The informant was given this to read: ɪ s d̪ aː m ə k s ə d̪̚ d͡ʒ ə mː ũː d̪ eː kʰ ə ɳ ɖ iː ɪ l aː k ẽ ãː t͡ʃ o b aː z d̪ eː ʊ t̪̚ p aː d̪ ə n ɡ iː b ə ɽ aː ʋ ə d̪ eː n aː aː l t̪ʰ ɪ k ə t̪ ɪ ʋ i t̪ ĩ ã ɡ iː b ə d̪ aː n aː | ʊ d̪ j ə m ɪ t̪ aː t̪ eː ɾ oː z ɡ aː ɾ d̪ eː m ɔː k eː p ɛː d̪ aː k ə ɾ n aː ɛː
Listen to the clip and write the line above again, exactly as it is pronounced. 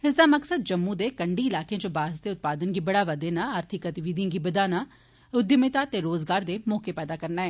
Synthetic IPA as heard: ɪ s d̪ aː m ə k s ə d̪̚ d͡ʒ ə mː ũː d̪ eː k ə ɳ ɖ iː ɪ l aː k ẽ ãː t͡ʃ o b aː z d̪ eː ʊ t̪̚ p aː d̪ ə n ɡ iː b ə ɽ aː ʋ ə d̪ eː n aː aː ɾ t̪ʰ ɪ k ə t̪ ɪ ʋ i d̪ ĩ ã ɡ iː b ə d̪ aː n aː | ʊ d̪ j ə m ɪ t̪ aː t̪ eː ɾ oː z ɡ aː ɾ d̪ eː m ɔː k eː p ɛː d̪ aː k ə ɾ n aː ɛː